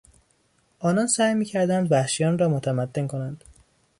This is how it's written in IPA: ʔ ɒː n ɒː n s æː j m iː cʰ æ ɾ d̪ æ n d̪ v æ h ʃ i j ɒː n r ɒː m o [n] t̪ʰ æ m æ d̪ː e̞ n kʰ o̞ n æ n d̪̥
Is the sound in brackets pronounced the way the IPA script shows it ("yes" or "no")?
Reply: no